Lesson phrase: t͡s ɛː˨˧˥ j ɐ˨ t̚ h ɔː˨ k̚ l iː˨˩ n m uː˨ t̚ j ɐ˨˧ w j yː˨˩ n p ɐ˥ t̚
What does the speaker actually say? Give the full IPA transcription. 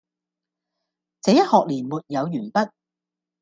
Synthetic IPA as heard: t͡s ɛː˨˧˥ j ɐ˥ t̚ h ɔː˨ k̚ l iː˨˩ n m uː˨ t̚ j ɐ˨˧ w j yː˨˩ n p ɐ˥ t̚